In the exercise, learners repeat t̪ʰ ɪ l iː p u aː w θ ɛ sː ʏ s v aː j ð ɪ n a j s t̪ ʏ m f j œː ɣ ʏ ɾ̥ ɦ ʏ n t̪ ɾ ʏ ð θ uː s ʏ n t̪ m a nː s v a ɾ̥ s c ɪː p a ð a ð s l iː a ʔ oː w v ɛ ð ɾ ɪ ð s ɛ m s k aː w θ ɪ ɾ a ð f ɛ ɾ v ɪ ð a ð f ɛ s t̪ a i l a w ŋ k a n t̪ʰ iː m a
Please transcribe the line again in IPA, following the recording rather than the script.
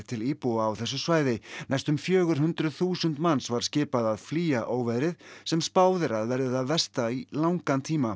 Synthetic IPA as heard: t̪ʰ ɪ l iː p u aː w θ ɛ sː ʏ s v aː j ð ɪ n a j s t̪ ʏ m f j œː ɣ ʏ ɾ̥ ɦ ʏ n t̪ ɾ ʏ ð θ uː s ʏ n t̪ m a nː s v a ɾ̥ s c ɪː p a ð a ð f l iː a ʔ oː w v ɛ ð ɾ ɪ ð s ɛ m s p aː w ð ɪ ɾ a ð v ɛ ɾ ð ɪ ð a ð v ɛ s t̪ a i l a w ŋ k a n t̪ʰ iː m a